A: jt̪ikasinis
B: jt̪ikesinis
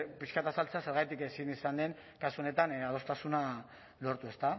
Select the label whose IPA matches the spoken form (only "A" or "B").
B